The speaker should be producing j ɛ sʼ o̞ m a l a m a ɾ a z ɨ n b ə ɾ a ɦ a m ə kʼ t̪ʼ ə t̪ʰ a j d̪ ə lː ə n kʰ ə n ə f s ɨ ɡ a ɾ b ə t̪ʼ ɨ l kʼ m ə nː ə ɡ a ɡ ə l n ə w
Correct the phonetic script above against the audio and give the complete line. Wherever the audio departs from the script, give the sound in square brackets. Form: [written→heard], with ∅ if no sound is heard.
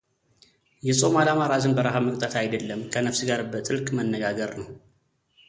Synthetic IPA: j ɛ sʼ o̞ m a l a m a ɾ a z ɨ n b ə ɾ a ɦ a m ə kʼ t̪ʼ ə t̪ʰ a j d̪ ə lː ə [n→m] kʰ ə n ə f s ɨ ɡ a ɾ b ə t̪ʼ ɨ l kʼ m ə nː ə ɡ a ɡ ə [l→ɾ] n ə w